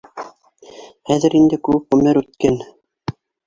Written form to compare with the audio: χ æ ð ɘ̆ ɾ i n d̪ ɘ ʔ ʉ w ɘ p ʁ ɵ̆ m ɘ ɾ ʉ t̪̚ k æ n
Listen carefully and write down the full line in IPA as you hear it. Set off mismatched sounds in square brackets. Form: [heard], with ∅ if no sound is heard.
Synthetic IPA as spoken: χ æ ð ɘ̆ ɾ i n d̪ ɘ [k] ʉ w ɘ p ʁ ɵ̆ m ɘ ɾ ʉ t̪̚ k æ n